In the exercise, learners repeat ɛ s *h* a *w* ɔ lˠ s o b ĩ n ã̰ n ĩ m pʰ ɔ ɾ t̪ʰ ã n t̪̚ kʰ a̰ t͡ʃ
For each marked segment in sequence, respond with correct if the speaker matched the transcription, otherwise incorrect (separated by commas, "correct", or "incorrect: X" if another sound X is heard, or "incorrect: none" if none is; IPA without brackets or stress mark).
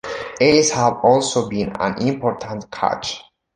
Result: correct, incorrect: v